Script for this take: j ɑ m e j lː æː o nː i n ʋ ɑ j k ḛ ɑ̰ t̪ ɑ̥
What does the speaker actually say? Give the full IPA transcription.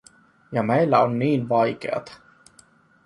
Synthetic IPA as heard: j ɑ m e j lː æ o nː iː n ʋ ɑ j k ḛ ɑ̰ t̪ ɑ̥

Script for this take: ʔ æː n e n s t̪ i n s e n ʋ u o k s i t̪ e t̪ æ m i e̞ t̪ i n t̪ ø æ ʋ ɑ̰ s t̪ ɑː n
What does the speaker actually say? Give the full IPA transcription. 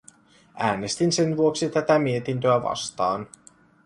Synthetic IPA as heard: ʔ æː n e s t̪ i n s e n ʋ u o k s i t̪ æ t̪ æ m i e̞ t̪ i n t̪ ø æ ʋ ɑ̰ s t̪ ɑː n

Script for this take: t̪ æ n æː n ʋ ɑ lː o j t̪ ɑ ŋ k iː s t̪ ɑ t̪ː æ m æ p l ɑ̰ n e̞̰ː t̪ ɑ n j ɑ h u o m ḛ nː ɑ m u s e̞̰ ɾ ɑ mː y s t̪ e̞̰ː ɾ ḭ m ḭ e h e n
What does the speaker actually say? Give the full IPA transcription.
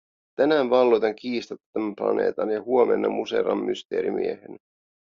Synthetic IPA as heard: t̪ æ n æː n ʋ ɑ lː o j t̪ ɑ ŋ k iː s t̪ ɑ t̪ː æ m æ p l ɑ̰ n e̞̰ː t̪ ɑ n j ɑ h u o m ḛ nː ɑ m u s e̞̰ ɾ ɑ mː y s t̪ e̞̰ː ɾ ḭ m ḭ e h e n

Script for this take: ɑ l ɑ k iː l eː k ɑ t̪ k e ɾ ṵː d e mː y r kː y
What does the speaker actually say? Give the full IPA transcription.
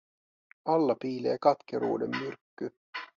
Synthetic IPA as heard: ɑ lː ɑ p iː l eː k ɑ t̪ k e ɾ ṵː d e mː y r kː y

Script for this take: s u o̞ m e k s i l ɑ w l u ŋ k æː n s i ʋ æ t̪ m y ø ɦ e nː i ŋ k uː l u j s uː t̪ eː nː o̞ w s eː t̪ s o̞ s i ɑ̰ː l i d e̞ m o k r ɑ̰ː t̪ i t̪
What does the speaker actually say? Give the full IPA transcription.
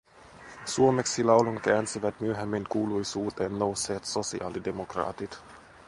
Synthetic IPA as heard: s u o̞ m e k s i l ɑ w l u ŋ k æː n s i ʋ æ t̪ m y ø ɦ e mː i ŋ k uː l u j s uː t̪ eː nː o̞ w s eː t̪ s o̞ s i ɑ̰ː l i d e̞ m o k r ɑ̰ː t̪ i t̪

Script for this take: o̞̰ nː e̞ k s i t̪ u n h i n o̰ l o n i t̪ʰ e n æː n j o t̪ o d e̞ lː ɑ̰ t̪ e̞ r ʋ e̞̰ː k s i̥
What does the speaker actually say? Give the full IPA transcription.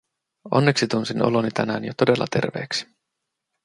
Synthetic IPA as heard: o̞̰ nː e̞ k s i t̪ u n s i n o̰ l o n i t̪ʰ æ n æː n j o t̪ o d e̞ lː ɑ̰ t̪ e̞ r ʋ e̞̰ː k s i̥

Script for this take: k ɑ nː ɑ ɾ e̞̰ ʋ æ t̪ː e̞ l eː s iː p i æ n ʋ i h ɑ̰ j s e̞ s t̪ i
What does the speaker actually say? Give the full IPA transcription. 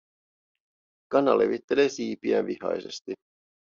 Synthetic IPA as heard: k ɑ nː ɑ l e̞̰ ʋ i t̪ː e̞ l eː s iː p i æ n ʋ i h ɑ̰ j s e̞ s t̪ i

